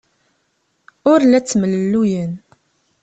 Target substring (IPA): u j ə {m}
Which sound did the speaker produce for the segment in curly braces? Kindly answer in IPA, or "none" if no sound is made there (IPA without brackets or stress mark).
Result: n